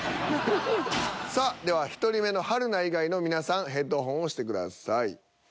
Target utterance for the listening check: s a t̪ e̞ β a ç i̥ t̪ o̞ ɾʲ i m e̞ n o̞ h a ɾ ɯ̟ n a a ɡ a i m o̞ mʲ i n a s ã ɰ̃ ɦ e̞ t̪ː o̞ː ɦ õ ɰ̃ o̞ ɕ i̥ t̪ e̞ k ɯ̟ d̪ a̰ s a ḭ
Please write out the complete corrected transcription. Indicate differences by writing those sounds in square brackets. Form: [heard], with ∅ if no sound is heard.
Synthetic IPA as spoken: s a [d̪] e̞ β a ç i̥ t̪ o̞ ɾʲ i m e̞ n o̞ h a ɾ ɯ̟ n a [i] ɡ a i [n] o̞ mʲ i n a s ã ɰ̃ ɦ e̞ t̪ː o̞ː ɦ õ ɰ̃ o̞ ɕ i̥ t̪ e̞ k ɯ̟ d̪ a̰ s a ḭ